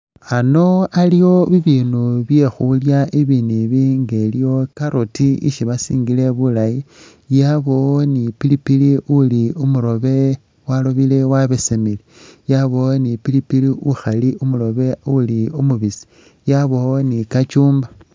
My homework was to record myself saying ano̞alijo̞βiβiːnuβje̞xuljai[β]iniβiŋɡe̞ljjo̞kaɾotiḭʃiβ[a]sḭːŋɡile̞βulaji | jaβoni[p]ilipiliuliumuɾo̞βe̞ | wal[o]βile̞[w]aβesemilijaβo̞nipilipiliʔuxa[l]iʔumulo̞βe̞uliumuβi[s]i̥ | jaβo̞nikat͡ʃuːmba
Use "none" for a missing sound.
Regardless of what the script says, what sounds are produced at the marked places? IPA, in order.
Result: β, a, p, o, w, l, s

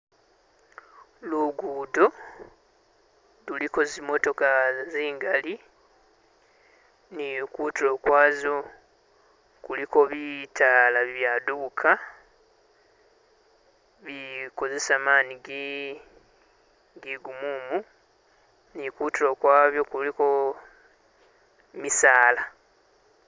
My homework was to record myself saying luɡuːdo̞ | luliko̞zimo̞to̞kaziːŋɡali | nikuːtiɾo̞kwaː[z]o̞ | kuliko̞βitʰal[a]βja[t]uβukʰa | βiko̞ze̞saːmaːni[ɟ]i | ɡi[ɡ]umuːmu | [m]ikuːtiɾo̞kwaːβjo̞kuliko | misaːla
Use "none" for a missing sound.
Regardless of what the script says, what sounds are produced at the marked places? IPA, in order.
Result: z, a, d, ɡ, ɡ, n

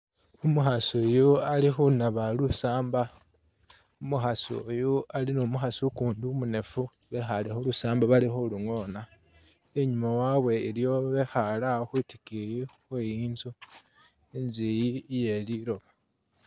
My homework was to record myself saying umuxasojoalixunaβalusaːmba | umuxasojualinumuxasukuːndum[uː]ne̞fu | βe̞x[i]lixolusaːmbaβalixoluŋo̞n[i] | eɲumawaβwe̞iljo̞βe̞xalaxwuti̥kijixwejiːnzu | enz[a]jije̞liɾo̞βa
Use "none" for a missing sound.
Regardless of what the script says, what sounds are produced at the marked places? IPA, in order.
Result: u, a, a, i

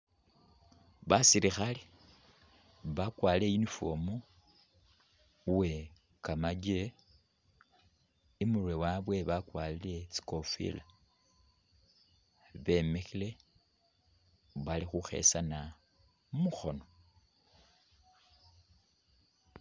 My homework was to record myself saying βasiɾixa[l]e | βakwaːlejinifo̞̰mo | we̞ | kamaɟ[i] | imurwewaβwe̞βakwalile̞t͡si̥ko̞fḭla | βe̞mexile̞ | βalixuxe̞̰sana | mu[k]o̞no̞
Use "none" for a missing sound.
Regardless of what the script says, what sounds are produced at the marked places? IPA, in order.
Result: l, e, x

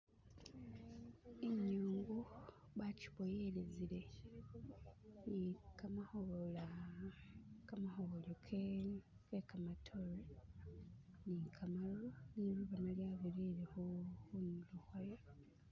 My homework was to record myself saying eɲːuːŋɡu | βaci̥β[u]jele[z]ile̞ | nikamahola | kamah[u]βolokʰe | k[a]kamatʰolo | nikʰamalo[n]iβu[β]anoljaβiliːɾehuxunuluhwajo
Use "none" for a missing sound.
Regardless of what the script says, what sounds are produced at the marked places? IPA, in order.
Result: o, z, o, e, n, β

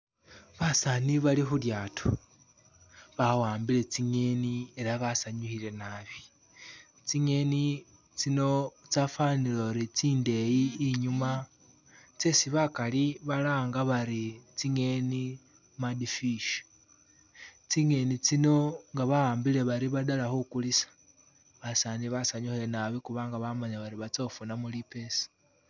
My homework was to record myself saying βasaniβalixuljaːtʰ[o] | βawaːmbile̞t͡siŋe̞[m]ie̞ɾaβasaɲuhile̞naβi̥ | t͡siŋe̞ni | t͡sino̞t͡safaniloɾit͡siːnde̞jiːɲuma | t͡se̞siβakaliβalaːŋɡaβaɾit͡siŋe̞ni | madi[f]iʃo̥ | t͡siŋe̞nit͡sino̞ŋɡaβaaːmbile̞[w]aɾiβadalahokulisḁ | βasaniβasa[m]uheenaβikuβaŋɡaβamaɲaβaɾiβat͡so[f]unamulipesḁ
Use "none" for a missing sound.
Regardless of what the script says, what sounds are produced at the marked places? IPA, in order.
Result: o, n, f, β, ɲ, f

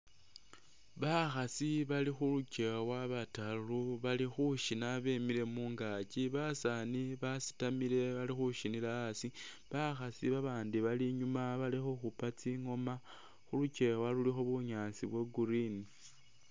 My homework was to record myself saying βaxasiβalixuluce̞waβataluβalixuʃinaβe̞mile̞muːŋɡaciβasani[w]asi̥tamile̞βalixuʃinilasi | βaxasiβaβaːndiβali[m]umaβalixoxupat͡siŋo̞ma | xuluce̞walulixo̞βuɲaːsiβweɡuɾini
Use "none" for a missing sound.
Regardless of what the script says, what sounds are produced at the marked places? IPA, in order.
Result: β, ɲ

